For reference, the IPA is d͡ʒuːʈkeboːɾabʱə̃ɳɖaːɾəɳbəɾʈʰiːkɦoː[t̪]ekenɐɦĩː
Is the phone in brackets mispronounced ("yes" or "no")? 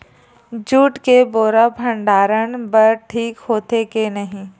no